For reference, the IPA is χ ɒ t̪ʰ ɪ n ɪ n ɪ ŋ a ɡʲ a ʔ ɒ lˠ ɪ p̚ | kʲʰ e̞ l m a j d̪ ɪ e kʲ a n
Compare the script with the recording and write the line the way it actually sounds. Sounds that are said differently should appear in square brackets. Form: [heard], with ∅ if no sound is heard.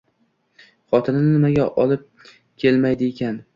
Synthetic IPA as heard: χ ɒ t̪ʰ ɪ n ɪ n ɪ [m] a ɡʲ a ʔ ɒ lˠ ɪ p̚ | kʲʰ e̞ l m a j d̪ ɪ e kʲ a n